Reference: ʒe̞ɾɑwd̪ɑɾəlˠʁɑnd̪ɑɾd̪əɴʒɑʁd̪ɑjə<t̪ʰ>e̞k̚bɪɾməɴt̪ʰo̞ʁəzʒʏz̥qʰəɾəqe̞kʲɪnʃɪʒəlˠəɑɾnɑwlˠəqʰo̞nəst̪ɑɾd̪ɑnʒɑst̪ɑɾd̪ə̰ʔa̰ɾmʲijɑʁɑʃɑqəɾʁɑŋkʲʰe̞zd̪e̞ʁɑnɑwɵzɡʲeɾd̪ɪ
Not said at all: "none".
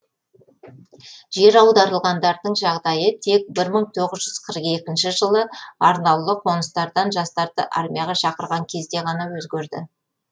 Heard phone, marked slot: t̪ʰ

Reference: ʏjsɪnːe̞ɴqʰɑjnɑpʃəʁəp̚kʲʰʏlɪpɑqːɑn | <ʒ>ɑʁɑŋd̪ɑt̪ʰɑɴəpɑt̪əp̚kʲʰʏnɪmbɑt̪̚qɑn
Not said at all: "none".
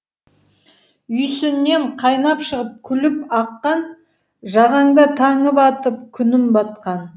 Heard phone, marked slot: ʒ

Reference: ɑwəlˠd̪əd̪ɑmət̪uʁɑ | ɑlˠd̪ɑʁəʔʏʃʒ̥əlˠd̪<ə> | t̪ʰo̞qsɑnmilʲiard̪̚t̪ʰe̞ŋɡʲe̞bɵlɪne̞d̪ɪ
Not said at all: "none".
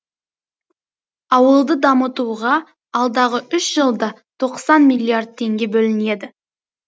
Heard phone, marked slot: ɑ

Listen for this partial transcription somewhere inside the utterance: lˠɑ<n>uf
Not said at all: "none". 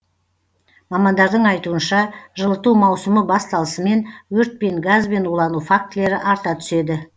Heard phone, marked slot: n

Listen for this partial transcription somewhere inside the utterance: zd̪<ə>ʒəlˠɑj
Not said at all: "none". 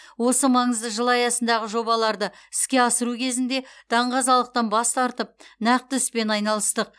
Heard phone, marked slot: ə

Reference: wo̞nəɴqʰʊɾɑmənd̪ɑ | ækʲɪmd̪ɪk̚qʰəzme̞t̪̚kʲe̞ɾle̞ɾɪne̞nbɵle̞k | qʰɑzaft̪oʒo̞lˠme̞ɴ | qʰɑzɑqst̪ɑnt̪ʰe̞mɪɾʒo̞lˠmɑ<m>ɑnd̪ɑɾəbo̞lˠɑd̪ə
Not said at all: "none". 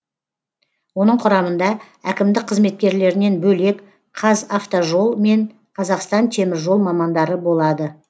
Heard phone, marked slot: m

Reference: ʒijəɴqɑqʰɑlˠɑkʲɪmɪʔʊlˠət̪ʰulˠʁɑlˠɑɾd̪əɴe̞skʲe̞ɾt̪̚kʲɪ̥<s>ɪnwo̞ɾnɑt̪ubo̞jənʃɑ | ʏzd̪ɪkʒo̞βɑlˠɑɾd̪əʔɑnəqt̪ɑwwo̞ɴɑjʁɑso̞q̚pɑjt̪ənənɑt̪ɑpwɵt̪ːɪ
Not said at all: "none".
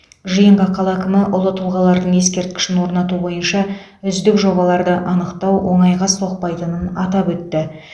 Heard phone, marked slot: ʃ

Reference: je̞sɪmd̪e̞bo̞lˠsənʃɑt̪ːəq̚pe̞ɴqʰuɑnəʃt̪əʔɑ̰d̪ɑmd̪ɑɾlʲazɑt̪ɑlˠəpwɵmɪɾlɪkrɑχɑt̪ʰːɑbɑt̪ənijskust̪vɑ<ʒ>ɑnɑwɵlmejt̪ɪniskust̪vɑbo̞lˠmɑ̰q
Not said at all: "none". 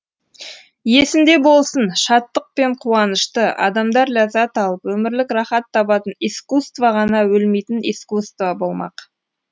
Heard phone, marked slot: ʁ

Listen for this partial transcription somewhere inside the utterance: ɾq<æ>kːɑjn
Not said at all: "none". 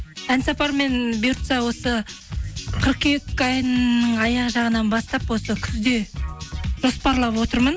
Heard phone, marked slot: e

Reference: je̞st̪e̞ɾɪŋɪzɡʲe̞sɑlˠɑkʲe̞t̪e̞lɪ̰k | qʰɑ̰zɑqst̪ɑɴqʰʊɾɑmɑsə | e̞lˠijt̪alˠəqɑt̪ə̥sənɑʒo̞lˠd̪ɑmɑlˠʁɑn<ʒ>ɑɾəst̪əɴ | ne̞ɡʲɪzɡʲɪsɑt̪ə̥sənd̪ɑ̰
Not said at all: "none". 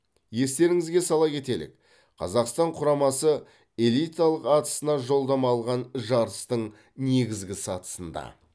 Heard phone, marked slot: ʒ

